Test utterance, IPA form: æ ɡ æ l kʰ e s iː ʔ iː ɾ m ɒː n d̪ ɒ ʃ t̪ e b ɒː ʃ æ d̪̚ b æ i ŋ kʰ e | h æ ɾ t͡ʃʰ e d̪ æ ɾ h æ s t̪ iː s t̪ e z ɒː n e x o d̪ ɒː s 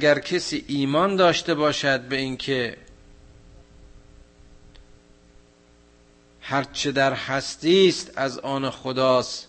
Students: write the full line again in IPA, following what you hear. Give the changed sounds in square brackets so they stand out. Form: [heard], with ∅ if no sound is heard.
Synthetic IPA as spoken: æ ɡ æ [ɾ] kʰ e s iː ʔ iː [∅] m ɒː n d̪ [ɒː] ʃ t̪ e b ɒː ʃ æ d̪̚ b [e] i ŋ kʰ e | h æ ɾ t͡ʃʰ e d̪ æ ɾ h æ s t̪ iː s t̪ [æ] z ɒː n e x o d̪ ɒː s